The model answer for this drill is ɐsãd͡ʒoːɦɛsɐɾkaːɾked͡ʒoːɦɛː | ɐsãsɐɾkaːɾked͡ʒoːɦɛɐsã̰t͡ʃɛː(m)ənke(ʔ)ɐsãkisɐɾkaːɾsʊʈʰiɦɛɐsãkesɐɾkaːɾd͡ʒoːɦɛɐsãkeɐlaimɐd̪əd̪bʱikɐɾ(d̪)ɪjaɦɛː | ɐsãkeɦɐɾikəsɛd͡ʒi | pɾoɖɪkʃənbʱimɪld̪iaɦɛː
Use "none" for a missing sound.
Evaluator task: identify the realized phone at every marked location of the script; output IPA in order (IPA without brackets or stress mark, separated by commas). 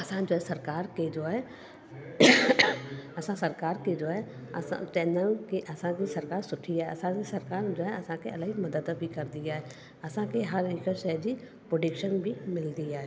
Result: n, ʔ, d̪